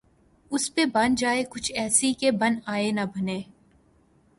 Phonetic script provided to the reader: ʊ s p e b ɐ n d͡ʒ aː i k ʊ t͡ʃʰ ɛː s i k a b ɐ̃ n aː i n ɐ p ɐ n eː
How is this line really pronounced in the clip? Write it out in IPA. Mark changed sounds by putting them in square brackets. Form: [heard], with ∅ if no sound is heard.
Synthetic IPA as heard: ʊ s p e b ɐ n d͡ʒ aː [e] k ʊ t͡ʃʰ ɛː s i k [e] b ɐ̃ n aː [e] n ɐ [b] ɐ n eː

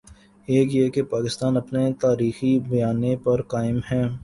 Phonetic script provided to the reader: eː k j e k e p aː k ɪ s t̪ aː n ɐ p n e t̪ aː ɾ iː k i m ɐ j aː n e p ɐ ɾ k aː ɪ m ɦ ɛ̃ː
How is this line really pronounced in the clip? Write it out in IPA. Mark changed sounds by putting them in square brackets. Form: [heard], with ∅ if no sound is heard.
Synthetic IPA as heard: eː k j e k e p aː k ɪ s t̪ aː n ɐ p n e t̪ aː ɾ iː [x] i [b] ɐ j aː n e p ɐ ɾ k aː ɪ m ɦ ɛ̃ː

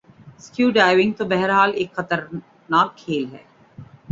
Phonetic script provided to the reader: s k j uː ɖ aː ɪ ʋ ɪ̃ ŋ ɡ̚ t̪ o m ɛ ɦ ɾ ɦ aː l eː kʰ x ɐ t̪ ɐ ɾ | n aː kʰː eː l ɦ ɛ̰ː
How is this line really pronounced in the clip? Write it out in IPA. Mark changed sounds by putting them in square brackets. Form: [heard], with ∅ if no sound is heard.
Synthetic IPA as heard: s k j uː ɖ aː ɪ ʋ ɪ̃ ŋ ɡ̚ t̪ o [b] ɛ ɦ ɾ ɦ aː l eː [k] x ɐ t̪ [ə] ɾ | n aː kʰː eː l ɦ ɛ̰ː

